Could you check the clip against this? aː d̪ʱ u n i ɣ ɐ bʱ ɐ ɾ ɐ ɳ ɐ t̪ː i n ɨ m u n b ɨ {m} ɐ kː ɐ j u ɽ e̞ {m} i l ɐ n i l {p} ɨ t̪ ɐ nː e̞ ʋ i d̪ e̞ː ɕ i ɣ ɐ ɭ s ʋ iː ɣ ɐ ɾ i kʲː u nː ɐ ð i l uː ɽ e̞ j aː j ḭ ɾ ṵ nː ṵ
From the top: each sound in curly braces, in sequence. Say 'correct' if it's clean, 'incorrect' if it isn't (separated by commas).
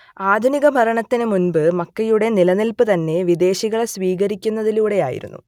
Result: correct, incorrect, correct